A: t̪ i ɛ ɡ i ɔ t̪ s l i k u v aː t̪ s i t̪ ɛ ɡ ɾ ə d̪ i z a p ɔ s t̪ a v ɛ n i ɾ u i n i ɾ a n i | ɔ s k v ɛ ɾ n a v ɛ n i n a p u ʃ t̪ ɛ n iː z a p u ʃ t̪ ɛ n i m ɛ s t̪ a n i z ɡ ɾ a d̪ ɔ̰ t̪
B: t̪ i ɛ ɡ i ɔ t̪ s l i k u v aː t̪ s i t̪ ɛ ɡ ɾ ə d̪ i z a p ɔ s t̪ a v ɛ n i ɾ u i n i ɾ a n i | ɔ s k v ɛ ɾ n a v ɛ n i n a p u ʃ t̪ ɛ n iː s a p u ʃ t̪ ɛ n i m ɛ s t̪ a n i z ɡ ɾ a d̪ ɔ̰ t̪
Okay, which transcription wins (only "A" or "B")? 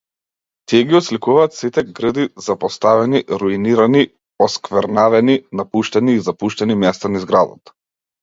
A